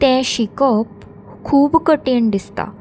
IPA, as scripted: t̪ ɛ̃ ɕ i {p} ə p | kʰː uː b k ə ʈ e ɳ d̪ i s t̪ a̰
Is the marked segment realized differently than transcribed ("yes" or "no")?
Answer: yes